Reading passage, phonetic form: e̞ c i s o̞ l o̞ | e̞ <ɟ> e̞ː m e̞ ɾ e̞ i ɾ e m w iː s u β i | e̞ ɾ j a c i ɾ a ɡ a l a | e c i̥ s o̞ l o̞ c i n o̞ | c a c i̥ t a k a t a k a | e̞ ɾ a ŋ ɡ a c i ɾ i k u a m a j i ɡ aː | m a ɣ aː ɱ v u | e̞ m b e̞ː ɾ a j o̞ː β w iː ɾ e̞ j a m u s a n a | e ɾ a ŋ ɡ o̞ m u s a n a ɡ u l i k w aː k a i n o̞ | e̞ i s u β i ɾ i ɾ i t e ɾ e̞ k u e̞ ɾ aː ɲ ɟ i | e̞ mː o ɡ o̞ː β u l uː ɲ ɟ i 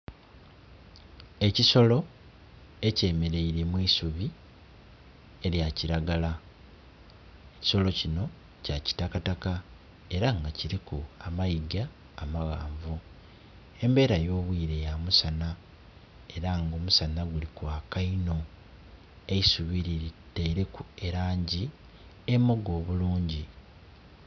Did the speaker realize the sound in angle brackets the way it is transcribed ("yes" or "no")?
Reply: no